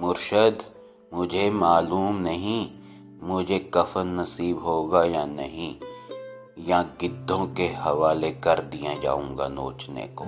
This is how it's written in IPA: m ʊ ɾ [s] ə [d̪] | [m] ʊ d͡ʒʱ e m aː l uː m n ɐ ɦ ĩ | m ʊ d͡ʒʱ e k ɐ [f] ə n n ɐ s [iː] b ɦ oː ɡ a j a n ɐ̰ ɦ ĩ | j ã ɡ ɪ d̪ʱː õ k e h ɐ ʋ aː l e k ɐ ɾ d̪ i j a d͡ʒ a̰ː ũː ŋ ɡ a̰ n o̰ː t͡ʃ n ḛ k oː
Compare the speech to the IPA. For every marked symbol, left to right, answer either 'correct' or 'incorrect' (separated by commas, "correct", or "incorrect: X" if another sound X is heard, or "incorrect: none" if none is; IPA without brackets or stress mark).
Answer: incorrect: ʃ, correct, correct, correct, correct